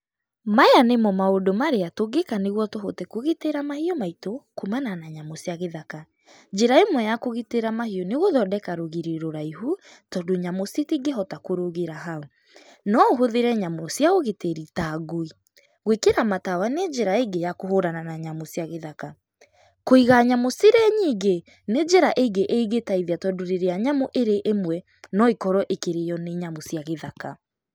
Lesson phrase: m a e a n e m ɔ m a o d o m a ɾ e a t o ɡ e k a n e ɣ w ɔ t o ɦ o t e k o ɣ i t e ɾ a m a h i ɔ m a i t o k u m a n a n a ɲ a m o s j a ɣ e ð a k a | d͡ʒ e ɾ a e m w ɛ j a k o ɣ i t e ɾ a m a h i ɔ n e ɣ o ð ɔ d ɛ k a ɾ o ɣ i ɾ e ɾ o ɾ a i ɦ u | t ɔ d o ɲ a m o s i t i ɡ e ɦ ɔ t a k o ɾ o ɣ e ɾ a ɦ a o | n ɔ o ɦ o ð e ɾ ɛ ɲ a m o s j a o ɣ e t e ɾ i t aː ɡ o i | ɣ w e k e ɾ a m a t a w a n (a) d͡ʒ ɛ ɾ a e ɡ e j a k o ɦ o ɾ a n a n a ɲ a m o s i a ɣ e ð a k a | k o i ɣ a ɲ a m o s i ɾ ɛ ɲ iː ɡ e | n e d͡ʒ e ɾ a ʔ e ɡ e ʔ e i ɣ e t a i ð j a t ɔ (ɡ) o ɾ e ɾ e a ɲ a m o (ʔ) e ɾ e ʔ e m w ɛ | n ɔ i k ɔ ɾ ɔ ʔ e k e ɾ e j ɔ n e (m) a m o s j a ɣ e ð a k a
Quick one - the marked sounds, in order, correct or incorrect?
incorrect: e, incorrect: d, correct, incorrect: ɲ

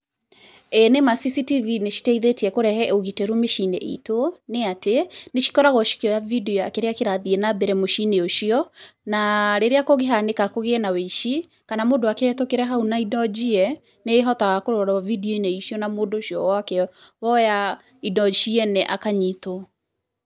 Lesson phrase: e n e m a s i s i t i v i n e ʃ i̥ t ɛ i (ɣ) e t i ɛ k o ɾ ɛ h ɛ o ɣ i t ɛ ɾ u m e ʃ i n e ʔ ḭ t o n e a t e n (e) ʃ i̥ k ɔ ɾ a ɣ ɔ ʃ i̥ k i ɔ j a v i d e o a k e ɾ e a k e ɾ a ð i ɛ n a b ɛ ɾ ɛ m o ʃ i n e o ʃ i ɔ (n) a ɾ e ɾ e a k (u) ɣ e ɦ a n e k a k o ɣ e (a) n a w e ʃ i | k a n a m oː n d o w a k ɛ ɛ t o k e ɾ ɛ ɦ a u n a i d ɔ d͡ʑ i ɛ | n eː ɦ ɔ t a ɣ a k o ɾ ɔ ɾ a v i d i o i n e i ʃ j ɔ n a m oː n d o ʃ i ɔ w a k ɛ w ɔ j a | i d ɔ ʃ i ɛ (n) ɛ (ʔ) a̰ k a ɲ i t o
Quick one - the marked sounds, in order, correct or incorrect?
incorrect: ð, correct, correct, incorrect: o, incorrect: ɛ, correct, correct

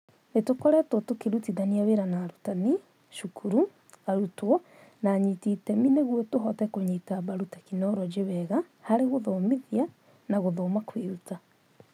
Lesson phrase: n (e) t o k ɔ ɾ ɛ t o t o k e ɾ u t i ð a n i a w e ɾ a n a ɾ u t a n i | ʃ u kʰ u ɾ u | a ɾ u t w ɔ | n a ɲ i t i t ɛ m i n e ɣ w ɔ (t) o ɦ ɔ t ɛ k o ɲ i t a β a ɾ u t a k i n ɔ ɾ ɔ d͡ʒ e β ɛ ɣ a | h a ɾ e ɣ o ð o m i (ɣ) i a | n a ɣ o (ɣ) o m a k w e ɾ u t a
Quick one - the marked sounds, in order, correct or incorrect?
correct, correct, incorrect: ð, incorrect: ð

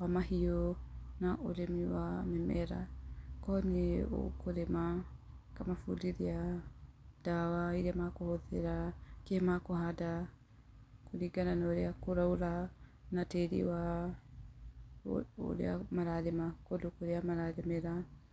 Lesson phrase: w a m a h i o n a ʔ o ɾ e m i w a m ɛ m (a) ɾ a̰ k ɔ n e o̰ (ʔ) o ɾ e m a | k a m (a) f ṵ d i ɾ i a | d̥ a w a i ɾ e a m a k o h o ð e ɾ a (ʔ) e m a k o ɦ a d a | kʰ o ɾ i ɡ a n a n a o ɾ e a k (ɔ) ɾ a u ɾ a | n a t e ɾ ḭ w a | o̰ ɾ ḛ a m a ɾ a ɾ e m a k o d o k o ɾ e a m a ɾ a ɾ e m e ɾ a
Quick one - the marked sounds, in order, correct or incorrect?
incorrect: ɛ, incorrect: k, correct, incorrect: k, incorrect: o

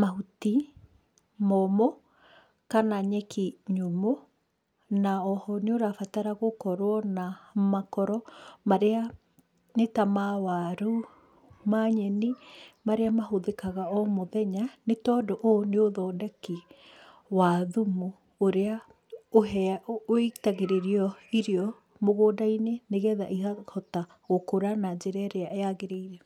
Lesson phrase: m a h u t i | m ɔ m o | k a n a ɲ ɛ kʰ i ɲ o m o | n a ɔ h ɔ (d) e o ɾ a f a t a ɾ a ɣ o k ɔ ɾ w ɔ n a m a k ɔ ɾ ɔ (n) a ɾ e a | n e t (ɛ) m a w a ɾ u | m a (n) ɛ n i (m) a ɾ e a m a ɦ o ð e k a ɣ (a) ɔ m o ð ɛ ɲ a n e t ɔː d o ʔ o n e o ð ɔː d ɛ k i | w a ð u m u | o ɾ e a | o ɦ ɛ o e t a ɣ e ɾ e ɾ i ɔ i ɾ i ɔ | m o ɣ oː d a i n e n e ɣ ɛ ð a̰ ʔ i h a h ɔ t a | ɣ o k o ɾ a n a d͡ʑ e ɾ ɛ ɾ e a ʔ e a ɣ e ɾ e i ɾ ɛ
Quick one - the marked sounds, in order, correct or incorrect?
incorrect: n, incorrect: m, incorrect: a, incorrect: ɲ, correct, correct

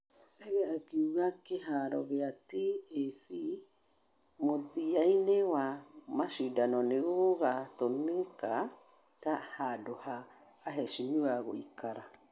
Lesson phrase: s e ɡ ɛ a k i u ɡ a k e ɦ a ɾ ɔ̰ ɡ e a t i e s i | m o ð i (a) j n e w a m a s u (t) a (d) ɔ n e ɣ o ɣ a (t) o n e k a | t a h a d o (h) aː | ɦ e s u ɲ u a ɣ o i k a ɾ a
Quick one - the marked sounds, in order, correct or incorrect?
correct, incorrect: d, incorrect: n, correct, correct

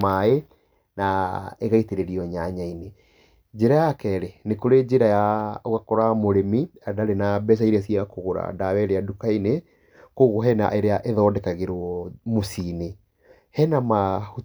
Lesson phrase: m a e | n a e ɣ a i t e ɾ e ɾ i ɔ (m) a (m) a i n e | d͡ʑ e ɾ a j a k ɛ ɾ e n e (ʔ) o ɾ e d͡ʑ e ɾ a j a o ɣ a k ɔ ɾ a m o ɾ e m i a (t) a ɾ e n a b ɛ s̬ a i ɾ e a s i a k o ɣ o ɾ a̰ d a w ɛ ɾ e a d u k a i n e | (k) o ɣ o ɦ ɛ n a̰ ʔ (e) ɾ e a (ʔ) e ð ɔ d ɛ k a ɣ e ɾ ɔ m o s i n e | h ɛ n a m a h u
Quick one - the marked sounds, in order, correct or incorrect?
incorrect: ɲ, incorrect: ɲ, incorrect: k, incorrect: d, correct, correct, correct

